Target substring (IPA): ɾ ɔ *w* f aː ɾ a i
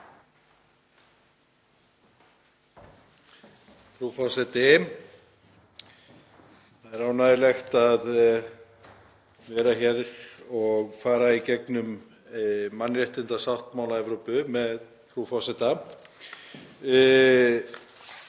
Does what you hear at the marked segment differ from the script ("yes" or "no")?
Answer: yes